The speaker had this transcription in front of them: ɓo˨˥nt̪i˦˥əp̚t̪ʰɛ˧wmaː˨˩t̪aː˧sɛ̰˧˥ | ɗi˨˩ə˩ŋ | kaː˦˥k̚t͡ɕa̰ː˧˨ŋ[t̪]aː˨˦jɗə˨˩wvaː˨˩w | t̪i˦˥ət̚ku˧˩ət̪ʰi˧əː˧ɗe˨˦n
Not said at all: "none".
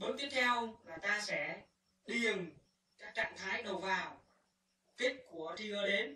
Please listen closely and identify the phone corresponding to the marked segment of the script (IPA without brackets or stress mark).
t̪ʰ